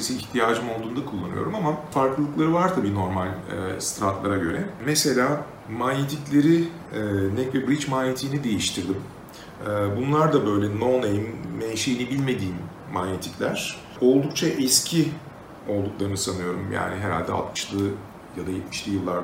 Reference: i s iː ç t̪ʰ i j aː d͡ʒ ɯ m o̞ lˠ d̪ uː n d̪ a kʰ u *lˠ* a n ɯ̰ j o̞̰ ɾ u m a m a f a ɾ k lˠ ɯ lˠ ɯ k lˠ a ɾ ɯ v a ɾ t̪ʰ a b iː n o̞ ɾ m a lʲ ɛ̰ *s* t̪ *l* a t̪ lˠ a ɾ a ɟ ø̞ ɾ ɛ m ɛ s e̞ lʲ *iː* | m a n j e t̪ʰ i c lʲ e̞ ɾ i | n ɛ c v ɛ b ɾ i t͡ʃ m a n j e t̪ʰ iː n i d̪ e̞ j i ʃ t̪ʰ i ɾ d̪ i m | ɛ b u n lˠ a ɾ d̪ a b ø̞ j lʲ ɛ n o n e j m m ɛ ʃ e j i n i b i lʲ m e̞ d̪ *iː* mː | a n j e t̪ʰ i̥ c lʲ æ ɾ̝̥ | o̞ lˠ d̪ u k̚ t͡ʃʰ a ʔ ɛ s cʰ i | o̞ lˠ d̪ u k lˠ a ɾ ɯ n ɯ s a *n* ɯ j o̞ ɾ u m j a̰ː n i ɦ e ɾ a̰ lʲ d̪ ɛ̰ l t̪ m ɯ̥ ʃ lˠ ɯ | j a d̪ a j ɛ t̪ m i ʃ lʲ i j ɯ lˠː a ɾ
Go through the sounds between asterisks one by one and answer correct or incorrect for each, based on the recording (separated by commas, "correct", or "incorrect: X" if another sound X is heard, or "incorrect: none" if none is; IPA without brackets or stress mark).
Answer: incorrect: lˠː, correct, incorrect: ɾ, incorrect: aː, correct, correct